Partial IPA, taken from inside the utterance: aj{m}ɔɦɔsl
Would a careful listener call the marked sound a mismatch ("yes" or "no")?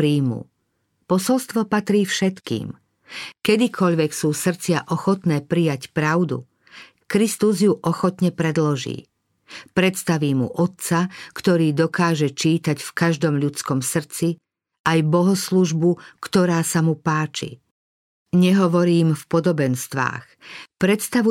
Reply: yes